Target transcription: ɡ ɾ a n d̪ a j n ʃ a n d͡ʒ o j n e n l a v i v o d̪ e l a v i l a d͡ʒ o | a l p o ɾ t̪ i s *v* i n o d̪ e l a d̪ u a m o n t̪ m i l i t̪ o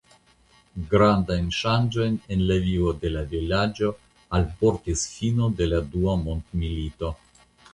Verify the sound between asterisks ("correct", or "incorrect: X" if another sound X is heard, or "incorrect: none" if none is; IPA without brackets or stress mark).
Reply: incorrect: f